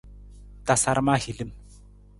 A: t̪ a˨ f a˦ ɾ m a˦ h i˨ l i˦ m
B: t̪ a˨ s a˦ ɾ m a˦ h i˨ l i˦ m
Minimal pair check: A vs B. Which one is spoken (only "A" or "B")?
B